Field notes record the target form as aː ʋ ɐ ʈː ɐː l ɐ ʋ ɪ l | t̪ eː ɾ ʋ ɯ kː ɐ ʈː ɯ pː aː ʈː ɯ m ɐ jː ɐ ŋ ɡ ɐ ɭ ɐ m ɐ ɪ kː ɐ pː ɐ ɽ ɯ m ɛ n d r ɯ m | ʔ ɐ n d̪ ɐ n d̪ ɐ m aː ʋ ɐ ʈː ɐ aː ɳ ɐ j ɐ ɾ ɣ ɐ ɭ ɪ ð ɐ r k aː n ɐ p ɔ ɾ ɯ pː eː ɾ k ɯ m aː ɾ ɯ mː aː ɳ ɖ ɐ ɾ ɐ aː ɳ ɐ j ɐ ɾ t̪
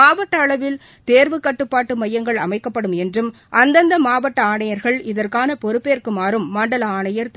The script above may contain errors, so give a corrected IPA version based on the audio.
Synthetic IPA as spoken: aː ʋ ɐ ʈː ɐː ɭ ɐ ʋ ɪ l | t̪ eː ɾ ʋ ɯ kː ɐ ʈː ɯ pː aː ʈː ɯ m ɐ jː ɐ ŋ ɡ ɐ ɭ ɐ m ɐ ɪ kː ɐ pː ɐ ɽ ɯ m ɛ n d r ɯ m | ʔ ɐ n d̪ ɐ n d̪ ɐ m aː ʋ ɐ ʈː ɐ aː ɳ ɐ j ɐ ɾ ɣ ɐ ɭ ɪ ð ɐ r k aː n ɐ p ɔ ɾ ɯ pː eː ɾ k ɯ m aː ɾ ɯ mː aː ɳ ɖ ɐ l ɐ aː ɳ ɐ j ɐ ɾ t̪